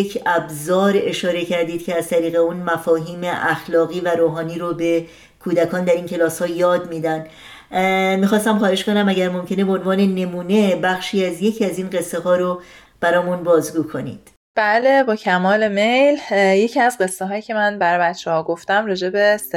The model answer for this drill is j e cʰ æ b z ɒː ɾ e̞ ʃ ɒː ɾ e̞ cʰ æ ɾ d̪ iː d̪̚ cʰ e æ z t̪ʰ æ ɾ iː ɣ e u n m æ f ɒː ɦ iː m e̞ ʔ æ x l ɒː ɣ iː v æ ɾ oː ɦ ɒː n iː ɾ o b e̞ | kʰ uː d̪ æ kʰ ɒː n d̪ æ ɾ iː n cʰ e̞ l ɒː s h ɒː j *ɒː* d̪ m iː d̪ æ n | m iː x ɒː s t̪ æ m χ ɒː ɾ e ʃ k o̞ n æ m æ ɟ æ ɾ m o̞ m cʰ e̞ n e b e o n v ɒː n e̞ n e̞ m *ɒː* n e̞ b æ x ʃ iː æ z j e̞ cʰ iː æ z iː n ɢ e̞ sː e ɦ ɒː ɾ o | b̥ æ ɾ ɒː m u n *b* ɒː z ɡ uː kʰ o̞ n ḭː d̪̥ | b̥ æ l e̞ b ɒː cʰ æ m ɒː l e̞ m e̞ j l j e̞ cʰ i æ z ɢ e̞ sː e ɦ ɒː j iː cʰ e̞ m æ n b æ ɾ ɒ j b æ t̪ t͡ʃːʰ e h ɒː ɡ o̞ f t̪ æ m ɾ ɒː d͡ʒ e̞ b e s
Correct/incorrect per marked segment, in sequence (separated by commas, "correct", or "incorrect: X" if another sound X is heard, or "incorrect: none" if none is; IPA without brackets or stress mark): correct, incorrect: uː, correct